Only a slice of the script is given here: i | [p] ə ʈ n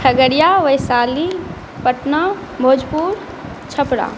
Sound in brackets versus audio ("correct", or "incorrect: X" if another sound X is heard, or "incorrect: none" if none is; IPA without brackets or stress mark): correct